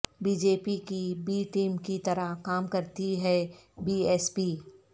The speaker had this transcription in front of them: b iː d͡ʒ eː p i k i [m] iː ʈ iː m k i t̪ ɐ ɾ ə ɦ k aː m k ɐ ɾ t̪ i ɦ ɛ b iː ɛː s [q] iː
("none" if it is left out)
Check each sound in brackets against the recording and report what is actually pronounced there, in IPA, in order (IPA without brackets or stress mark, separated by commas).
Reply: b, p